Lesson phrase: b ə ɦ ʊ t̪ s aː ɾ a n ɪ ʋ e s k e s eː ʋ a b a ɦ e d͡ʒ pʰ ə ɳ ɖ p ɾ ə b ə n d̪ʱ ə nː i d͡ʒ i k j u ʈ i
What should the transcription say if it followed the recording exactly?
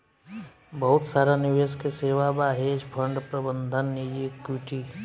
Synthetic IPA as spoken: b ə ɦ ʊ t̪ s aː ɾ a n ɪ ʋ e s k e s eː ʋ a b a ɦ e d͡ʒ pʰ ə ɳ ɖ p ɾ ə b ə n d̪ʱ ə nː i d͡ʒ i k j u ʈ i